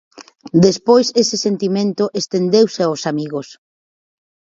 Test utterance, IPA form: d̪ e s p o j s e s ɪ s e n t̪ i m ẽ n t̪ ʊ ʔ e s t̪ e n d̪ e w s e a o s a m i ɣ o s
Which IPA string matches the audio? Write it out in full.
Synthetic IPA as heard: d̪ e s p o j s e s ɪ s e n t̪ i m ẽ n t̪ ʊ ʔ e s t̪ e n d̪ e w s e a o s a m i ɣ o s

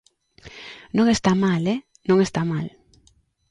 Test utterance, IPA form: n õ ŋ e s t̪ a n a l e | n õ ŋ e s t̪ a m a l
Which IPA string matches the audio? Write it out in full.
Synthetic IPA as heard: n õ ŋ e s t̪ a m a l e | n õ ŋ e s t̪ a m a l

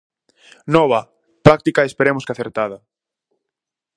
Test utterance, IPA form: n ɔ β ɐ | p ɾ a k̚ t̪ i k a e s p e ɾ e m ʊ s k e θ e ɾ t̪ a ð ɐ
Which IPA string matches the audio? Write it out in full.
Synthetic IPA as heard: n ɔ β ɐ | p ɾ a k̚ t̪ i k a e s p e ɾ e m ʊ s k a θ e ɾ t̪ a ð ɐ

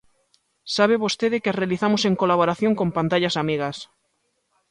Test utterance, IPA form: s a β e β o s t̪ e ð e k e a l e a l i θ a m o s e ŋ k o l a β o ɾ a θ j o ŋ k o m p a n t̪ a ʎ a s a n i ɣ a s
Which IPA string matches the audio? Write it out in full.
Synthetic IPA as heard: s a β e β o s t̪ e ð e k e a r e a l i θ a m o s e ŋ k o l a β o ɾ a θ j o ŋ k o m p a n t̪ a ʎ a s a m i ɣ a s

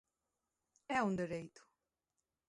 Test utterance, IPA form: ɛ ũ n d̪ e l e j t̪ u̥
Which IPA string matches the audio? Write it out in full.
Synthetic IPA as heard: ɛ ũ n d̪ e ɾ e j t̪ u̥

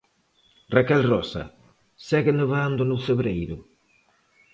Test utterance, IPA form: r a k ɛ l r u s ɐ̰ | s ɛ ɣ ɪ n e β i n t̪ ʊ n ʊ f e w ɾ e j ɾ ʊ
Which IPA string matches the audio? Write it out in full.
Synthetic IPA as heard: r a k ɛ l r ɔ s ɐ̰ | s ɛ ɣ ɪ n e β a n d̪ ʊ n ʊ f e β ɾ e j ɾ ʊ

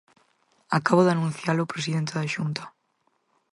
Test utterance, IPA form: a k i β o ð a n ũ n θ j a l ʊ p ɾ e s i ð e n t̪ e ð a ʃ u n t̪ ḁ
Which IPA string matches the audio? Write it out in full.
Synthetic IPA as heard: a k a β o ð a n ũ n θ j a l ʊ p ɾ e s i ð e n t̪ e ð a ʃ u n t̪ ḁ

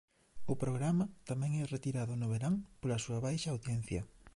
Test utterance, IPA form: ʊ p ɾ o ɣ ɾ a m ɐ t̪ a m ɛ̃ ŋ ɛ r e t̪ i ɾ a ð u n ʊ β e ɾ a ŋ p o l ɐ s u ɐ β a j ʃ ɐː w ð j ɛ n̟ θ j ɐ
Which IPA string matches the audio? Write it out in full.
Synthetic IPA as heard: ʊ p ɾ o ɣ ɾ a m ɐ t̪ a m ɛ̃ ŋ ɛ r e t̪ i ɾ a ð ʊ n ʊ β e ɾ a ŋ p o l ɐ s u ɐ β a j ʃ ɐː w ð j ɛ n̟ θ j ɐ

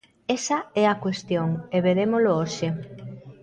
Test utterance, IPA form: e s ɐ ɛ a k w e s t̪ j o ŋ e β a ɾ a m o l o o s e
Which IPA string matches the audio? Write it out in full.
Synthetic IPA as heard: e s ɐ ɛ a k w e s t̪ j o ŋ e β e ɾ e m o l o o ʃ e

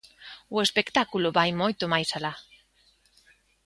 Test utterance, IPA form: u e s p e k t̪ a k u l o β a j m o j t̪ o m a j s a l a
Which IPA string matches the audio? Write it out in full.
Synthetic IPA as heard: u e s p e k t̪ a k u l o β a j m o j t̪ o m a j s a l a

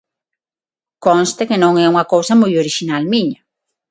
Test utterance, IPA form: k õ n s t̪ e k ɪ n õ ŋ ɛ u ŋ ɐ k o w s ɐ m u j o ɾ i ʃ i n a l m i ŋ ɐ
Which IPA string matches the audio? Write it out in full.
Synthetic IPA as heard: k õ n s t̪ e k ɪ n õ ŋ ɛ u ŋ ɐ k o w s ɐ m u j o ɾ i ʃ i n a l m i ɲ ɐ

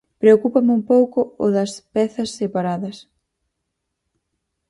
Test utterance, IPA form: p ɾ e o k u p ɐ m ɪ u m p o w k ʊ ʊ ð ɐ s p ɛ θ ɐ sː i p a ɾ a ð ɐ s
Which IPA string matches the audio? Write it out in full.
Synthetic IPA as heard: p ɾ e o k u p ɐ m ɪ u m p o w k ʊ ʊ ð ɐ s p ɛ θ ɐ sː e p a ɾ a ð ɐ s

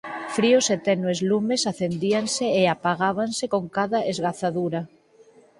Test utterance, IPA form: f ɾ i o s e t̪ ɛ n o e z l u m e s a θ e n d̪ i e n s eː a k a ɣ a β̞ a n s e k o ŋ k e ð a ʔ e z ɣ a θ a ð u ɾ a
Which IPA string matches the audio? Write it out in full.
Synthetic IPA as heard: f ɾ i o s e t̪ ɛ n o e z l u m e s a θ e n d̪ i a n s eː a p a ɣ a β̞ a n s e k o ŋ k a ð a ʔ e z ɣ a θ a ð u ɾ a

